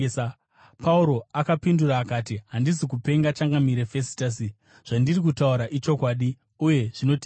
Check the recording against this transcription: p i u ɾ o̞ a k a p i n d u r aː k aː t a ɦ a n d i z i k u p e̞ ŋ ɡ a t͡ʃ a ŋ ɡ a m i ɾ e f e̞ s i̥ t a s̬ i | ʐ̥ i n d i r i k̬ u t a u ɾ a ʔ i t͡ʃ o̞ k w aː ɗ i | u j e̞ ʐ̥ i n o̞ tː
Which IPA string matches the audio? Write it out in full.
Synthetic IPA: p a u ɾ o̞ a k a p i n d u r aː k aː t i ɦ a n d i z i k u p e̞ ŋ ɡ a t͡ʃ a ŋ ɡ a m i ɾ e f e̞ s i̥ t a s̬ i | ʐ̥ a n d i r i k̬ u t a u ɾ a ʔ i t͡ʃ o̞ k w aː ɗ i | u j e̞ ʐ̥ i n o̞ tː